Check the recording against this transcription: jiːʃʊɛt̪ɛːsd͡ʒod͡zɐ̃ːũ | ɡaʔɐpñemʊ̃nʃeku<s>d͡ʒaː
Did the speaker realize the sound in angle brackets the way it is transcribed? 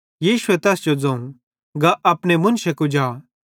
no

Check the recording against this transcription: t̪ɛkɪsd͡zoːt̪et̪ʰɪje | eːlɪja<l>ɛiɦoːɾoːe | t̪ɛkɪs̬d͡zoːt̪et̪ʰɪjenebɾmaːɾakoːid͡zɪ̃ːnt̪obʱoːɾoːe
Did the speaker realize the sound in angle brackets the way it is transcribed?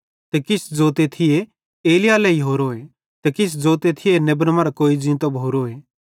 yes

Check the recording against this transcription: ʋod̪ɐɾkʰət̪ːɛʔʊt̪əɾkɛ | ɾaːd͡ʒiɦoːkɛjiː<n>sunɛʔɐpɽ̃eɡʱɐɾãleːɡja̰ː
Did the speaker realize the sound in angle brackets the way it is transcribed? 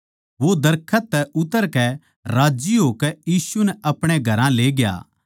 no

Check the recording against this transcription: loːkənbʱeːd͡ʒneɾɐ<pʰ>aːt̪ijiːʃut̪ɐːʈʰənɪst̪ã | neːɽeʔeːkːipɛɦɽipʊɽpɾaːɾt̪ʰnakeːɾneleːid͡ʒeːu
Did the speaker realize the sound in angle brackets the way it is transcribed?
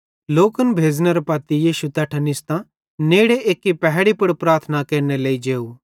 no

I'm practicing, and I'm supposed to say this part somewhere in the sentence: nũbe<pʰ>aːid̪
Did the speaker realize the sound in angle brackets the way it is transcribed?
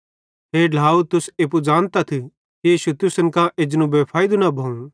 yes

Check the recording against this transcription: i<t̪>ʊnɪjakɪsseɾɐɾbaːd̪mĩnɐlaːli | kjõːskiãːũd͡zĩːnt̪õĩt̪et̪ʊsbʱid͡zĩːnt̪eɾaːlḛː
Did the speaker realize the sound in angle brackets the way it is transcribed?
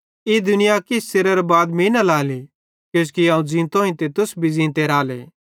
no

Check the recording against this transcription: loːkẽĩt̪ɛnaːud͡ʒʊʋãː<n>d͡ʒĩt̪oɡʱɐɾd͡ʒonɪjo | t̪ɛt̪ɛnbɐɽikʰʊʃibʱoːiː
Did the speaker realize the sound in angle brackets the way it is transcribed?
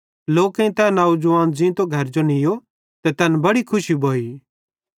yes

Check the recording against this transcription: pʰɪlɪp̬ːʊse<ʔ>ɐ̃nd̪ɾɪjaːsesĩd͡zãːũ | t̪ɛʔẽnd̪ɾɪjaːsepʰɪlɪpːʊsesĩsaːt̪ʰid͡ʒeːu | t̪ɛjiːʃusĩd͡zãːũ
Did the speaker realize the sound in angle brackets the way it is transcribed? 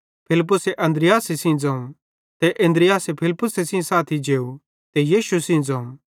yes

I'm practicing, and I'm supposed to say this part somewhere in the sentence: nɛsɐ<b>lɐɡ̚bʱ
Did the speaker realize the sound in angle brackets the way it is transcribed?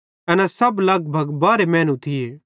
yes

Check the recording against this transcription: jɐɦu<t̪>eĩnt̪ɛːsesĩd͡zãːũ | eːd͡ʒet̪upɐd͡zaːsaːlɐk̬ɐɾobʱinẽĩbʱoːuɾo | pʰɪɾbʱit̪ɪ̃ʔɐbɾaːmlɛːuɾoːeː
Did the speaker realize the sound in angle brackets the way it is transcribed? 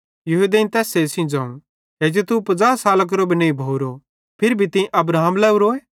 no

